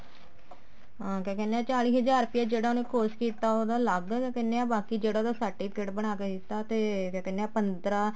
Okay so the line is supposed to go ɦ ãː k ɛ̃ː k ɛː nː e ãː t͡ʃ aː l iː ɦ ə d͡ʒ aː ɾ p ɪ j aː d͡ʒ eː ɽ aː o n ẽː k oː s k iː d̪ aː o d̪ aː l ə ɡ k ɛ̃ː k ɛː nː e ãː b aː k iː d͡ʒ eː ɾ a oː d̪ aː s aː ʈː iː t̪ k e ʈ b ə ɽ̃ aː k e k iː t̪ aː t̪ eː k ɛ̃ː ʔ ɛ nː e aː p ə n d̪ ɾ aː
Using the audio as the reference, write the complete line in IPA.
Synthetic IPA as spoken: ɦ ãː k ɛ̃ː k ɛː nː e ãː t͡ʃ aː l iː ɦ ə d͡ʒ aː ɾ p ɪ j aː d͡ʒ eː ɽ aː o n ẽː k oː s k iː t̪ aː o d̪ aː l ə ɡ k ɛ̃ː k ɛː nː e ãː b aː k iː d͡ʒ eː ɽ a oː d̪ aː s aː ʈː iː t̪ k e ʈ b ə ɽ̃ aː k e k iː t̪ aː t̪ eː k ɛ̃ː k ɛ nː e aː p ə n d̪ ɾ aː